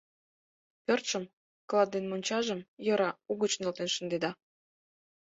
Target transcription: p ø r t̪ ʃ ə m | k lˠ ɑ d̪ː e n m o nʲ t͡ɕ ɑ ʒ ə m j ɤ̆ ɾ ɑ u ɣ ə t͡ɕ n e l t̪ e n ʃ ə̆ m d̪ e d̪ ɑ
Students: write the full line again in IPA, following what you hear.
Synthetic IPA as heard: p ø r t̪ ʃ ə m | k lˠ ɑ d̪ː e n m o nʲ t͡ɕ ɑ ʒ ə m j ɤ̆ ɾ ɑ u ɣ ə t͡ɕ n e l t̪ e n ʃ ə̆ n d̪ e d̪ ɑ